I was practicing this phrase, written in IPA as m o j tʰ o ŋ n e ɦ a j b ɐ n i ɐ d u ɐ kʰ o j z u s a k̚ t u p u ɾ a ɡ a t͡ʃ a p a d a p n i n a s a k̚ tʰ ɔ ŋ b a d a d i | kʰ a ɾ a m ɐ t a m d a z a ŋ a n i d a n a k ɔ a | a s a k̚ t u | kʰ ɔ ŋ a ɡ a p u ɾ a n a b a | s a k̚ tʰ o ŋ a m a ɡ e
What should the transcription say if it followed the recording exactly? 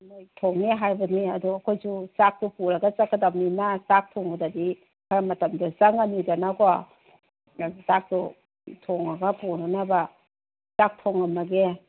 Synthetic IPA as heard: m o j tʰ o ŋ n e ɦ a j b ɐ n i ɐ d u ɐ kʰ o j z u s a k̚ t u p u ɾ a ɡ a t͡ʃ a k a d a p n i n a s a k̚ tʰ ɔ ŋ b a d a d i | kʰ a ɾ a m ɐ t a m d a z a ŋ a n i d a n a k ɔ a | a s a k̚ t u | tʰ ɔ ŋ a ɡ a p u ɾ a n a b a | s a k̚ tʰ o ŋ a m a ɡ e